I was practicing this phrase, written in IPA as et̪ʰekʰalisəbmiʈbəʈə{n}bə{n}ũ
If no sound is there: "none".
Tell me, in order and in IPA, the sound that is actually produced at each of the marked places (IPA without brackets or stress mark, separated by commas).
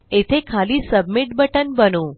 n, n